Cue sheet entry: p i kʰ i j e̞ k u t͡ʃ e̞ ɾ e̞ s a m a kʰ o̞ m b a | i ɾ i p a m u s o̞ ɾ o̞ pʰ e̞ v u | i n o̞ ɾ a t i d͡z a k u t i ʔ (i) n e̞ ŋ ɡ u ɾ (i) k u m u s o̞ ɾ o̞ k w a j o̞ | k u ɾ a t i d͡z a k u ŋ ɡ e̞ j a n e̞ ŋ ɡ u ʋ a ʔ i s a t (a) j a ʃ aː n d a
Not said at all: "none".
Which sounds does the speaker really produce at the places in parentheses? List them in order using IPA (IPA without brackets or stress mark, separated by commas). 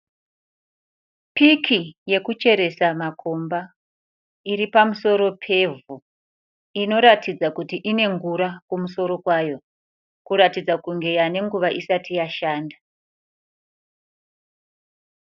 i, a, i